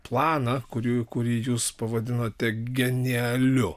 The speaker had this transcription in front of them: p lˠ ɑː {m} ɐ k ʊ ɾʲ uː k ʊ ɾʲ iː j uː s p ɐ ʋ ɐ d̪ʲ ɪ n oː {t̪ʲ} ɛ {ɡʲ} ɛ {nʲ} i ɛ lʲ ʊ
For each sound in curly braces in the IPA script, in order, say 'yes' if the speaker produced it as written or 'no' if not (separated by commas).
no, yes, yes, yes